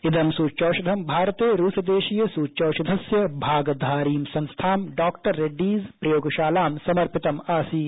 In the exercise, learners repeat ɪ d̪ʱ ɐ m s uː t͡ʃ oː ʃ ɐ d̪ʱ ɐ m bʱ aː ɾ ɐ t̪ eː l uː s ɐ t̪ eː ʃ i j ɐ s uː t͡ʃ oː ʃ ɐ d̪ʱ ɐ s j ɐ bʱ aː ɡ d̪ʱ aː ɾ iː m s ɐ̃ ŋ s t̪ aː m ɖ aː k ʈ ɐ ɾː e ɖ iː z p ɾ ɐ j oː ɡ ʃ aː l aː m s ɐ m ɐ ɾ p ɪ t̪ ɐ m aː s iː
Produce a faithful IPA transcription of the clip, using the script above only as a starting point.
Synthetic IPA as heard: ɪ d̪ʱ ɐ m s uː t͡ʃ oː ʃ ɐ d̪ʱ ɐ m bʱ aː ɾ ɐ t̪ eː ɾ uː s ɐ d̪ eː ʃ i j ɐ s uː t͡ʃ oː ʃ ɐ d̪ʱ ɐ s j ɐ bʱ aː ɡ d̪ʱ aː ɾ iː m s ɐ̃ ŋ s t̪ʰ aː m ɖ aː k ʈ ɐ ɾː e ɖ iː z p ɾ ɐ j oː ɡ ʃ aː l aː m s ɐ m ɐ ɾ p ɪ t̪ ɐ m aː s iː